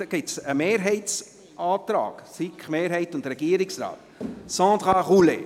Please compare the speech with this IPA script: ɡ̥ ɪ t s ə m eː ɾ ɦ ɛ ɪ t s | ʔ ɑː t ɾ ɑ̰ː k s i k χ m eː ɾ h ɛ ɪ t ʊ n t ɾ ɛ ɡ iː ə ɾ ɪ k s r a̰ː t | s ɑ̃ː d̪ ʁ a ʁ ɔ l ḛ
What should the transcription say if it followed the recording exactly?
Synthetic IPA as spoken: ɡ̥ ɪ t s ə m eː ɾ ɦ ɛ ɪ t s | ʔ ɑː t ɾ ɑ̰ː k s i k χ m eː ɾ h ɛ ɪ t ʊ n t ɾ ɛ ɡ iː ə ɾ ɪ k s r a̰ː t | s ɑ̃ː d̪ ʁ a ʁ u l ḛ